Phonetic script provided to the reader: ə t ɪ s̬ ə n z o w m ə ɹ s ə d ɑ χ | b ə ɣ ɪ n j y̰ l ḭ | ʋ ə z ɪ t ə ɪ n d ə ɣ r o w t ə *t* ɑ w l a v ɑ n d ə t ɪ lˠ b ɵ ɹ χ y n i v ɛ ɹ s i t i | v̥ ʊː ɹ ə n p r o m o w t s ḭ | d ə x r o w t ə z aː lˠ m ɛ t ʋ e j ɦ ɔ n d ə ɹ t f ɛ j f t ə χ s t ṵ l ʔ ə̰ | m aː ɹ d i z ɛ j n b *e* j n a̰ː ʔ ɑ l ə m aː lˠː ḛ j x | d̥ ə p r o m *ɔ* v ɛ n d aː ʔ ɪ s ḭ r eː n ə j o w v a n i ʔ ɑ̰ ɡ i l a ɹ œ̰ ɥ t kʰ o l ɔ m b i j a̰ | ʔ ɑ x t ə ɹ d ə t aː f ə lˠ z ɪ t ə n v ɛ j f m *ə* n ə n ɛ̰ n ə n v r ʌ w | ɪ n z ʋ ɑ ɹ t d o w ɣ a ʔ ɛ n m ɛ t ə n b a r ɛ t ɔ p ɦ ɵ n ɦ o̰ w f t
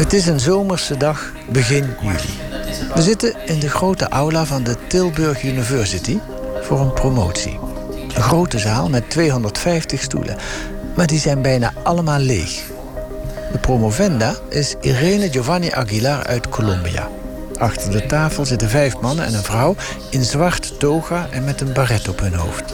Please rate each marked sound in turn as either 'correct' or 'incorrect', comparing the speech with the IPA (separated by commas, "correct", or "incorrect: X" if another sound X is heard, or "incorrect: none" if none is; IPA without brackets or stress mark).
incorrect: ʔ, incorrect: ɛ, incorrect: o, incorrect: ɑ